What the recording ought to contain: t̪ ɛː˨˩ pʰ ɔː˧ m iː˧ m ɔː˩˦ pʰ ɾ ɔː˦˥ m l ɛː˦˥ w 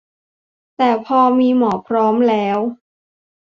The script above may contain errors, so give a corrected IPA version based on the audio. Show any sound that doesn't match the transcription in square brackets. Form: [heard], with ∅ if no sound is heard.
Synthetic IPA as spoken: t̪ ɛː˨˩ pʰ ɔː˧ m iː˧ m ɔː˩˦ pʰ ɾ ɔː˦˥ m l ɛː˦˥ w